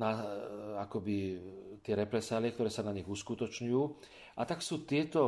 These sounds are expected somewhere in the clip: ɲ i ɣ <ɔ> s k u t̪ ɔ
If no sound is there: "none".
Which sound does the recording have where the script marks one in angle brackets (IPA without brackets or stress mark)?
u